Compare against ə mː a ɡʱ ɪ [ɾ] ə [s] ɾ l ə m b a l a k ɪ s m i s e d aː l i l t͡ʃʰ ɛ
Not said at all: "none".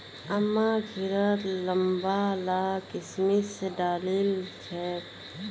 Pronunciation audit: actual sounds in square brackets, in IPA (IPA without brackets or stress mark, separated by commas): ɾ, none